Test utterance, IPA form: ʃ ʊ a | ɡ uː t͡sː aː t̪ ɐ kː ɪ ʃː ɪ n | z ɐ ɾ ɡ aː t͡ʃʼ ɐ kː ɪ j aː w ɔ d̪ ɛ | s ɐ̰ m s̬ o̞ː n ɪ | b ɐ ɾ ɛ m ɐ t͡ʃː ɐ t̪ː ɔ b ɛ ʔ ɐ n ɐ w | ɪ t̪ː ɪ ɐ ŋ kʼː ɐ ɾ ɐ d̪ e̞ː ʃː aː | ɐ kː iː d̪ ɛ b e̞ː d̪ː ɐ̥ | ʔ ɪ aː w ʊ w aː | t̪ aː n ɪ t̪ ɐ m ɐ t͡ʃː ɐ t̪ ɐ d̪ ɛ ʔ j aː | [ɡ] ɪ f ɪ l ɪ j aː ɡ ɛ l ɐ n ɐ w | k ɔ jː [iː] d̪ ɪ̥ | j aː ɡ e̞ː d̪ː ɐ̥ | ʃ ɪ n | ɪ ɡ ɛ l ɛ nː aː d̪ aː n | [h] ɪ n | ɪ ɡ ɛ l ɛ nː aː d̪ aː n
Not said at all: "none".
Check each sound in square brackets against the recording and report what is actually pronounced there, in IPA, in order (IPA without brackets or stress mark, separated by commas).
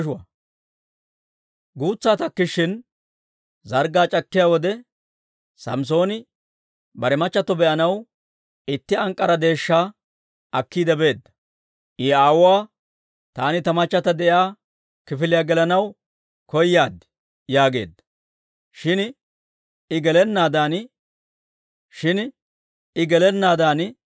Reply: k, aː, ʃ